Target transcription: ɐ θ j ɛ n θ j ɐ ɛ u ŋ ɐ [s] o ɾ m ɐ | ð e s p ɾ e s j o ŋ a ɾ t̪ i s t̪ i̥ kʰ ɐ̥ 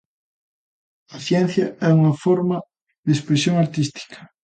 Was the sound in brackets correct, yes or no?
no